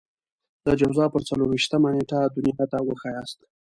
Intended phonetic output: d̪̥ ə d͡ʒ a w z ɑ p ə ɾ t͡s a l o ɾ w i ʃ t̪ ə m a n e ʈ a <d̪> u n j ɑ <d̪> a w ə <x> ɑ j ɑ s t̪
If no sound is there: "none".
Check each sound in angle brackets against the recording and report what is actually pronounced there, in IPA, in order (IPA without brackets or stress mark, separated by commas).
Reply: d̪, t̪, x